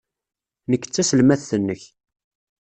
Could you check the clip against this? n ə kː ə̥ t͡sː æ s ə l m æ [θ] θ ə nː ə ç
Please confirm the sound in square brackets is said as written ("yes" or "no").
yes